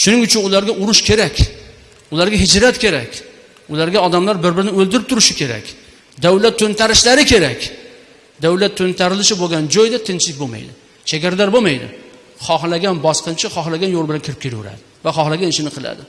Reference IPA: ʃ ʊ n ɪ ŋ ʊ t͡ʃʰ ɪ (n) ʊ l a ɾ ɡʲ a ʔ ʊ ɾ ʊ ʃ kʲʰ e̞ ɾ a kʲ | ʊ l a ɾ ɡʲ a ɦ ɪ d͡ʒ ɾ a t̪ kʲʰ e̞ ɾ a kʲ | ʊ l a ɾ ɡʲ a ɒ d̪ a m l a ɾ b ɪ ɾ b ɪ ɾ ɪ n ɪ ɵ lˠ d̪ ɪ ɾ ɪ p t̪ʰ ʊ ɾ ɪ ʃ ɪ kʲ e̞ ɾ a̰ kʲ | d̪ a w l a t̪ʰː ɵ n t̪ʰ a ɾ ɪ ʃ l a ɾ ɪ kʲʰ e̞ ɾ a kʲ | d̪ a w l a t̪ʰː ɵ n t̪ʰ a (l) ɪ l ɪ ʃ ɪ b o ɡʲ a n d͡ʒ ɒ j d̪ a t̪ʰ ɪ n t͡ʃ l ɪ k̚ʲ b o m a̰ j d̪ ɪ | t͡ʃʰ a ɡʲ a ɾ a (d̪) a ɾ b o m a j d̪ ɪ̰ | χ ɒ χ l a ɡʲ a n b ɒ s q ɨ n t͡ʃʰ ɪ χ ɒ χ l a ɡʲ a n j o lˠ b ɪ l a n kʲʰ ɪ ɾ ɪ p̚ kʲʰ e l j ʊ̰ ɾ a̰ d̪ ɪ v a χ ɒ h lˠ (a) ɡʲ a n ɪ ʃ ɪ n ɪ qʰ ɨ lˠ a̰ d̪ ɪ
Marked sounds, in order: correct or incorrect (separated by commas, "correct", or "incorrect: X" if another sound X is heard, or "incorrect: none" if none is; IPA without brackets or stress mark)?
correct, incorrect: ɾ, correct, correct